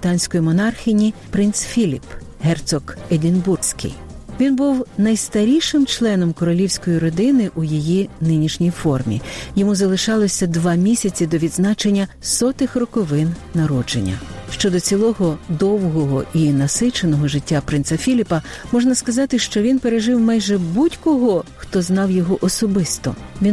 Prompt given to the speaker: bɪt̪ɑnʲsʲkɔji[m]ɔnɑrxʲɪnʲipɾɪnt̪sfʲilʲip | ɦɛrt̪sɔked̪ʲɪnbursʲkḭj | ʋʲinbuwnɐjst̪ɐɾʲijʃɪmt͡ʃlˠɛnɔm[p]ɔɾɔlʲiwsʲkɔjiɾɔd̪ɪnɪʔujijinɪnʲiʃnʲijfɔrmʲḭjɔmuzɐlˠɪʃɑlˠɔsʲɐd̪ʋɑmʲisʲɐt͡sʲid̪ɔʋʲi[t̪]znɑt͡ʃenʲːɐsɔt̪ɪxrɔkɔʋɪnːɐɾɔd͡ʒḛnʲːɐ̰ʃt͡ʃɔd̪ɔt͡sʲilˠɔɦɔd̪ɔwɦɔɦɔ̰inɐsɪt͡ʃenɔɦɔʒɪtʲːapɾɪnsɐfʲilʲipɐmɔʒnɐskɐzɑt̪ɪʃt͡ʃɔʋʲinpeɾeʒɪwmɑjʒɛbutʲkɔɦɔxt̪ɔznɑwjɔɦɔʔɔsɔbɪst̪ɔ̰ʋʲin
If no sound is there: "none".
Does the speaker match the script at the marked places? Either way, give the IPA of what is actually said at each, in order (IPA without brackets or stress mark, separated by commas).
m, k, d̪